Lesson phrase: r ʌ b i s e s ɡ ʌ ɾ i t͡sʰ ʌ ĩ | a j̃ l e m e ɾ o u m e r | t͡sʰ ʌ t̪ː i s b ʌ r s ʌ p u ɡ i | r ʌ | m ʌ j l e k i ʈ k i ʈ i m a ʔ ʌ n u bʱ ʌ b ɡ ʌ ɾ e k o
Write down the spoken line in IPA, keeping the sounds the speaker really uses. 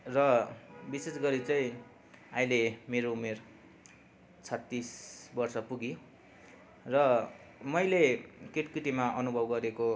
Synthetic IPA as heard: r ʌ b i s e s ɡ ʌ ɾ i t͡s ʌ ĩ | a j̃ l e m e ɾ o u m e r | t͡sʰ ʌ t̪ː i s b ʌ r s ʌ p u ɡ i | r ʌ | m ʌ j l e k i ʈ k i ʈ i m a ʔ ʌ n u bʱ ʌ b ɡ ʌ ɾ e k o

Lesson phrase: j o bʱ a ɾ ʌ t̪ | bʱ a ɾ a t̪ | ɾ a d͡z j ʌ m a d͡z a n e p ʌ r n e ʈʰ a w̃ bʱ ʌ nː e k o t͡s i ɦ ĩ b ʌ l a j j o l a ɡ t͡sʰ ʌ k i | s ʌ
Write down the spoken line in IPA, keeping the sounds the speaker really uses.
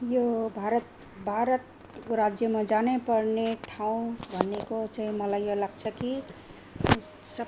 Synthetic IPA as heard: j o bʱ a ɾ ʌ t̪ | bʱ a ɾ ʌ t̪ | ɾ a d͡z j ʌ m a d͡z a n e p ʌ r n e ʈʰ a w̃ bʱ ʌ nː e k o t͡s a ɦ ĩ m ʌ l a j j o l a ɡ t͡sʰ ʌ k i | s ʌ

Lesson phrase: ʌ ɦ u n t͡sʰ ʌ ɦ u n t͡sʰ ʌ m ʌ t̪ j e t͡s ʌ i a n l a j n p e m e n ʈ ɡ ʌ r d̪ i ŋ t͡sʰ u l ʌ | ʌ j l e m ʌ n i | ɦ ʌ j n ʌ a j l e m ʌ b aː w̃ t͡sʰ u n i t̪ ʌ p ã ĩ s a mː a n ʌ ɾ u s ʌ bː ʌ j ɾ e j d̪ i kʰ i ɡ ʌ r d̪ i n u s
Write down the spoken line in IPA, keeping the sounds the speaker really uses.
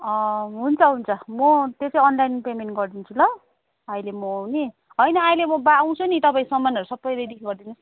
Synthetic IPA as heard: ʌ ɦ u n t͡sʰ ʌ ɦ u n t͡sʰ ʌ m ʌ t̪ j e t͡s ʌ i ʌ n l a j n p e m e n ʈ ɡ ʌ r d̪ i n t͡sʰ u l ʌ | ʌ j l e m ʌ n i | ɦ ʌ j n ʌ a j l e m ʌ b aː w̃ t͡sʰ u n i t̪ ʌ p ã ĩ s ʌ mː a n ʌ ɾ u s ʌ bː ʌ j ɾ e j d̪ i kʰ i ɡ ʌ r d̪ i n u s

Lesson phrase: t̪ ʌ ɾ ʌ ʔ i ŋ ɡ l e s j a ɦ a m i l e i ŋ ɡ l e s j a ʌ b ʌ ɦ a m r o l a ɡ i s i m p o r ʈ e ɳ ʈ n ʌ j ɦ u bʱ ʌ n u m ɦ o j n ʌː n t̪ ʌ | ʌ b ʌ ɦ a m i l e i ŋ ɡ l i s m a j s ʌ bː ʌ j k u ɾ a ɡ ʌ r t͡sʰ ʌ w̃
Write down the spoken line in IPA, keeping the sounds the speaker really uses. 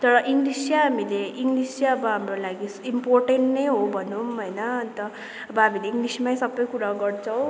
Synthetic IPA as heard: t̪ ʌ ɾ ʌ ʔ i ŋ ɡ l i s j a ɦ a m i l e i ŋ ɡ l i s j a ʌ b ʌ ɦ a m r o l a ɡ i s i m p o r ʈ e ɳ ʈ n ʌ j ɦ o bʱ ʌ n u m ɦ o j n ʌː n t̪ ʌ | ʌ b ʌ ɦ a m i l e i ŋ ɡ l i s m a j s ʌ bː ʌ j k u ɾ a ɡ ʌ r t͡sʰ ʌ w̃

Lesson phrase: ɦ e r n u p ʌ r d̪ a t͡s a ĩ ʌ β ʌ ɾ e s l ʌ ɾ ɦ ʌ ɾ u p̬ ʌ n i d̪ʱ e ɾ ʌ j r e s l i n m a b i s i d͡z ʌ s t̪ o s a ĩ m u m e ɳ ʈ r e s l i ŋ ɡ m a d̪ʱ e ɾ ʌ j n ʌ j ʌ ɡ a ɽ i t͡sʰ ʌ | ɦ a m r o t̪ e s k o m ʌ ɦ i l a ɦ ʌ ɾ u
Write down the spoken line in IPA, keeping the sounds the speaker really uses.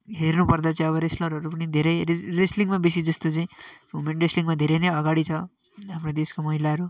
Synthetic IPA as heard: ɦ e r n u p ʌ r d̪ a t͡s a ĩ ʌ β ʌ ɾ e s l ʌ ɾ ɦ ʌ ɾ u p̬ ʌ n i d̪ʱ e ɾ ʌ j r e s l i ŋ m a b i s i d͡z ʌ s t̪ o t͡s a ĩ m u m e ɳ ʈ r e s l i ŋ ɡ m a d̪ʱ e ɾ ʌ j n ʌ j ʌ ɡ a ɽ i t͡sʰ ʌ | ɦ a m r o d̪ e s k o m ʌ ɦ i l a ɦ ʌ ɾ u

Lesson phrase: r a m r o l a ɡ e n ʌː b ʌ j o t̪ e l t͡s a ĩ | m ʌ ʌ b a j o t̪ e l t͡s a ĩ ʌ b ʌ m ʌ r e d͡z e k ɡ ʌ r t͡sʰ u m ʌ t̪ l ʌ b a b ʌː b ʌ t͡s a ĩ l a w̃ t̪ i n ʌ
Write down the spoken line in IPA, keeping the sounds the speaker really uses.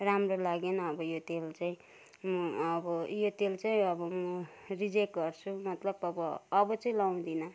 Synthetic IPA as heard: r a m r o l a ɡ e n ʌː b ʌ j o t̪ e l t͡s a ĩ | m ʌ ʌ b ʌ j o t̪ e l t͡s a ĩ ʌ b ʌ m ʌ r i d͡z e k ɡ ʌ r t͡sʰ u m ʌ t̪ l ʌ b ʌ b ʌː b ʌ t͡s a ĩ l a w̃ d̪ i n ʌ

